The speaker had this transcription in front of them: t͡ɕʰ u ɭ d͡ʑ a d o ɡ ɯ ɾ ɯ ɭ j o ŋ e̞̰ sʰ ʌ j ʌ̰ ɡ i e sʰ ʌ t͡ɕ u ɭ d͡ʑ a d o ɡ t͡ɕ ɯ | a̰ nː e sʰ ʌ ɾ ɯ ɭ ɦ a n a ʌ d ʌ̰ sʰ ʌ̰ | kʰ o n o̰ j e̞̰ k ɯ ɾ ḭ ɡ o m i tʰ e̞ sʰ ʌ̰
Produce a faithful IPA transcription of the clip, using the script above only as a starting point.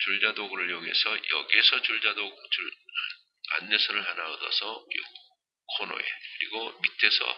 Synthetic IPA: t͡ɕ u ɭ d͡ʑ a d o ɡ ɯ ɾ ɯ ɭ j o ŋ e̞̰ sʰ ʌ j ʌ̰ ɡ i e sʰ ʌ t͡ɕ u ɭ d͡ʑ a d o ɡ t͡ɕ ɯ | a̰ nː e sʰ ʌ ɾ ɯ ɭ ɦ a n a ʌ d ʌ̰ sʰ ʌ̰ | kʰ o n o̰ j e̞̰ k ɯ ɾ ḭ ɡ o m i tʰ e̞ sʰ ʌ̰

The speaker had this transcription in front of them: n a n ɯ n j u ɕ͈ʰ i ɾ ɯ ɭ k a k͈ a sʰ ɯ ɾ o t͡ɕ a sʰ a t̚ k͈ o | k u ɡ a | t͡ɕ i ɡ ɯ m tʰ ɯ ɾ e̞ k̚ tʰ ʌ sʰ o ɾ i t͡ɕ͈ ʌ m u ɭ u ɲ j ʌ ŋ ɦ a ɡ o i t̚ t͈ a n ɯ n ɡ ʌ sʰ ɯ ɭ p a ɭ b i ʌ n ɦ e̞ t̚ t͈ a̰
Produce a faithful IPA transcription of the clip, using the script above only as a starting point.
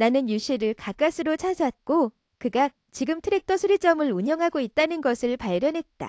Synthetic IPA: n a n ɯ n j u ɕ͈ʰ i ɾ ɯ ɭ k a k͈ a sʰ ɯ ɾ o t͡ɕʰ a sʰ a t̚ k͈ o | k ɯ ɡ a | t͡ɕ i ɡ ɯ m tʰ ɯ ɾ e̞ k̚ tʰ ʌ sʰ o ɾ i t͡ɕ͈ ʌ m ɯ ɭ u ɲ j ʌ ŋ ɦ a ɡ o i t̚ t͈ a n ɯ n ɡ ʌ sʰ ɯ ɭ p a ɭ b j ʌ n ɦ e̞ t̚ t͈ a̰

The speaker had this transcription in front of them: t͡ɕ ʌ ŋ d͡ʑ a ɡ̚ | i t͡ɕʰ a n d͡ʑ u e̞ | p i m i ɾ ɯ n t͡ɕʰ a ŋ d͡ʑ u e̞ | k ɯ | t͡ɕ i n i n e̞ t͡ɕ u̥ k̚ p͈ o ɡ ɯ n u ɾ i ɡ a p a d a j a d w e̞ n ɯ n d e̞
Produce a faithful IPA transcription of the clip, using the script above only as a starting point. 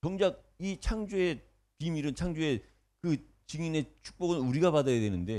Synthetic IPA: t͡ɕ ʌ ŋ d͡ʑ a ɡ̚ | i t͡ɕʰ a ŋ d͡ʑ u e̞ | p i m i ɾ ɯ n t͡ɕʰ a ŋ d͡ʑ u e̞ | k ɯ | t͡ɕ i ŋ i n e̞ t͡ɕʰ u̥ k̚ p͈ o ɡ ɯ n u ɾ i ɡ a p a d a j a d w e̞ n ɯ n d e̞

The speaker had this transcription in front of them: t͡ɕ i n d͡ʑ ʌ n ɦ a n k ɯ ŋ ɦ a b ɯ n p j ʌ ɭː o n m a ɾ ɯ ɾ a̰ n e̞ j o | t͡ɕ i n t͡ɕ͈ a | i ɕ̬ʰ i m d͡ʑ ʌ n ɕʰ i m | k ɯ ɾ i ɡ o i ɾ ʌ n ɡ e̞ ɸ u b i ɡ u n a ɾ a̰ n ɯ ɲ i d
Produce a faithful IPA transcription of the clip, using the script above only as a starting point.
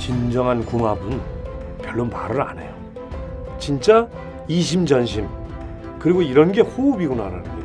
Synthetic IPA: t͡ɕ i n d͡ʑ ʌ ŋ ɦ a n k u ŋ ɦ a b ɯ n p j ʌ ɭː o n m a ɾ ɯ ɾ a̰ n e̞ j o | t͡ɕ i n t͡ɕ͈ a | i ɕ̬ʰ i m d͡ʑ ʌ n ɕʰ i m | k ɯ ɾ i ɡ o i ɾ ʌ n ɡ e̞ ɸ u b i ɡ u n a ɾ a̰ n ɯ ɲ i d

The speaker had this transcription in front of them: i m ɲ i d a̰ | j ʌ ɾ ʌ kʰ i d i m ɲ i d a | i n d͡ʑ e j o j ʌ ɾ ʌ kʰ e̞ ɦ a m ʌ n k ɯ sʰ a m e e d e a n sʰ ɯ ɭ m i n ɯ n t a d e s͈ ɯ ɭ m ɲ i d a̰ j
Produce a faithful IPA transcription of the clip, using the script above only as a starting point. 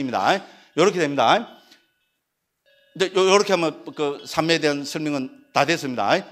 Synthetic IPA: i m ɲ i d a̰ | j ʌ ɾ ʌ kʰ e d e m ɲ i d a | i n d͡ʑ e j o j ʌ ɾ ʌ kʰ e̞ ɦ a m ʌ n k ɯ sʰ a m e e d e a n sʰ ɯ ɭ m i ŋ ɯ n t a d e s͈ ɯ m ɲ i d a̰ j

